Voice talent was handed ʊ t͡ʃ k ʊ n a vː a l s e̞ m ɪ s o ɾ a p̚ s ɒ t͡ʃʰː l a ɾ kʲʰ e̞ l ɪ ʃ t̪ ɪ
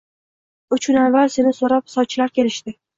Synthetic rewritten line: ʊ t͡ʃ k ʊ n a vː a l s e̞ n ɪ s o ɾ a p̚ s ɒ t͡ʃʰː l a ɾ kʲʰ e̞ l ɪ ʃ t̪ ɪ